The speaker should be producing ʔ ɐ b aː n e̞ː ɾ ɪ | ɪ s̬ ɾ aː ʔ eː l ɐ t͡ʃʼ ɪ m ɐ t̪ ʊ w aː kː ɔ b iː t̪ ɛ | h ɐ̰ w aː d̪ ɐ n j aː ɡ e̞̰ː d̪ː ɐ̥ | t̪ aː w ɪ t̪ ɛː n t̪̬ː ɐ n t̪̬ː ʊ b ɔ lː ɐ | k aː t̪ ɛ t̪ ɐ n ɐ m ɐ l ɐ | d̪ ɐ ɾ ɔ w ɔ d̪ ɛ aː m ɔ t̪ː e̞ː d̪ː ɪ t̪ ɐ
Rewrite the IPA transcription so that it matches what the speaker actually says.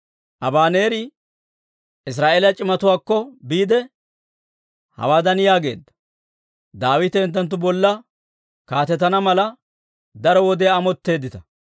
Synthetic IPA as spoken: ʔ ɐ b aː n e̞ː ɾ ɪ | ɪ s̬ ɾ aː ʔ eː l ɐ t͡ʃʼ ɪ m ɐ t̪ ʊ w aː kː ɔ b iː d̪ ɛ | h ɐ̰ w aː d̪ ɐ n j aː ɡ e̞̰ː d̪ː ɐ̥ | d̪ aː w ɪ t̪ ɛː n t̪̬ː ɐ n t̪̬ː ʊ b ɔ lː ɐ | k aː t̪ ɛ t̪ ɐ n ɐ m ɐ l ɐ | d̪ ɐ ɾ ɔ w ɔ d̪ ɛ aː m ɔ t̪ː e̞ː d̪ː ɪ t̪ ɐ

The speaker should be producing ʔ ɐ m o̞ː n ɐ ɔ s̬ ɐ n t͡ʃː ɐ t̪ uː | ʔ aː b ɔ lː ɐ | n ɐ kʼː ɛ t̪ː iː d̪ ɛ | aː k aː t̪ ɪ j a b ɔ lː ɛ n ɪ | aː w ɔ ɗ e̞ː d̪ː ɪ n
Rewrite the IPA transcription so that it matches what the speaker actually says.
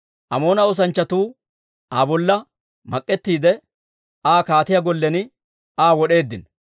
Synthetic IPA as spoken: ʔ ɐ m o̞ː n ɐ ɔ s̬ ɐ n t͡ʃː ɐ t̪ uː | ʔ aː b ɔ lː ɐ | m ɐ kʼː ɛ t̪ː iː d̪ ɛ | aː k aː t̪ ɪ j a ɡ ɔ lː ɛ n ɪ | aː w ɔ ɗ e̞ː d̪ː ɪ n

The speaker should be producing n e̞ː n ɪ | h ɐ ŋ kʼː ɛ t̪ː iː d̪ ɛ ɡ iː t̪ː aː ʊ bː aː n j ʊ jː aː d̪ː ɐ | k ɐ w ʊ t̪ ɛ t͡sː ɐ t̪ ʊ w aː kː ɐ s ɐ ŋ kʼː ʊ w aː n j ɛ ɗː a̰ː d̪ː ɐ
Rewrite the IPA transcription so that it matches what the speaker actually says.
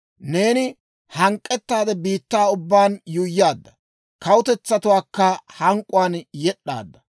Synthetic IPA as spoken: n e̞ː n ɪ | h ɐ ŋ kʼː ɛ t̪ː aː d̪ ɛ b iː t̪ː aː ʊ bː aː n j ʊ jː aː d̪ː ɐ | k ɐ w ʊ t̪ ɛ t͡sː ɐ t̪ ʊ w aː kː ɐ h ɐ ŋ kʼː ʊ w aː n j ɛ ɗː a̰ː d̪ː ɐ

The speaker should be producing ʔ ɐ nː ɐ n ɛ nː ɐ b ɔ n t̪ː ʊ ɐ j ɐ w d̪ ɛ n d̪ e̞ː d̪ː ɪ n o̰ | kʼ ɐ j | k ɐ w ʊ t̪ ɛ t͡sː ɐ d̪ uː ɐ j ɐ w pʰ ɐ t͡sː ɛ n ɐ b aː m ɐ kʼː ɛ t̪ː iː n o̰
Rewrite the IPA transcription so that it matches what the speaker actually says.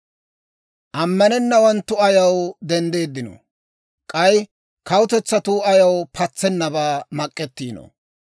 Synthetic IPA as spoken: ʔ ɐ mː ɐ n ɛ nː ɐ w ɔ n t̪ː ʊ ɐ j ɐ w d̪ ɛ n d̪ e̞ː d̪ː ɪ n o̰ | kʼ ɐ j | k ɐ w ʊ t̪ ɛ t͡sː ɐ t̪ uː ɐ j ɐ w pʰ ɐ t͡sː ɛ nː ɐ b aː m ɐ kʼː ɛ t̪ː iː n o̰

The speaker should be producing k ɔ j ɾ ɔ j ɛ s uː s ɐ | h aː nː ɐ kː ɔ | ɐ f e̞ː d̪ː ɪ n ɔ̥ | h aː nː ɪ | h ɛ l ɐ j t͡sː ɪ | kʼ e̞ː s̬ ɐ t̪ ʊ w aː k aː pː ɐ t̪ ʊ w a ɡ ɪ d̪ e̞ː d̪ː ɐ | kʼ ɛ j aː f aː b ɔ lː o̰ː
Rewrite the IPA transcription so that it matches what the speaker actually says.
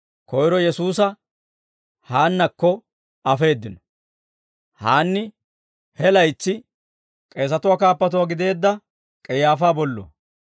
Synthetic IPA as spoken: k ɔ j ɾ ɔ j ɛ s uː s ɐ | h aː nː ɐ kː ɔ | ɐ f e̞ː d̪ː ɪ n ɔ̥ | h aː nː ɪ | h ɛ l ɐ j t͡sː ɪ | kʼ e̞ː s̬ ɐ t̪ ʊ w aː k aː pː ɐ t̪ ʊ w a ɡ ɪ d̪ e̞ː d̪ː ɐ | kʼ ɛ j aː f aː b ɔ lː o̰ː

